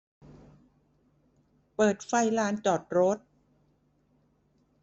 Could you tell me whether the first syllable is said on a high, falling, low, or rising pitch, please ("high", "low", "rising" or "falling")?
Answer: low